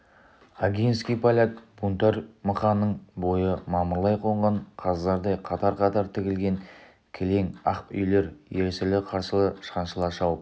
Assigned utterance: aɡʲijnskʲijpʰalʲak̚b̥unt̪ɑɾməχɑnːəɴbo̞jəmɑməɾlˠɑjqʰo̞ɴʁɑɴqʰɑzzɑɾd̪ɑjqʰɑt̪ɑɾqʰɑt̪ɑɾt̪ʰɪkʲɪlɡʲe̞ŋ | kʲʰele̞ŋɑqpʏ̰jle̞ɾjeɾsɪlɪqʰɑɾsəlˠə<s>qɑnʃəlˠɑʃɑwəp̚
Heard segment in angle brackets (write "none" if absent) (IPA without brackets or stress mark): ʃ